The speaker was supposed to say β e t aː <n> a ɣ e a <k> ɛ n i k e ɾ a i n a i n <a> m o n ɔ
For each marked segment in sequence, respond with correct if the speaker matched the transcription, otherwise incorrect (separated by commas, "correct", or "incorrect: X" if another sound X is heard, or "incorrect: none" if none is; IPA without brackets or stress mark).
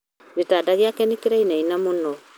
incorrect: d, correct, correct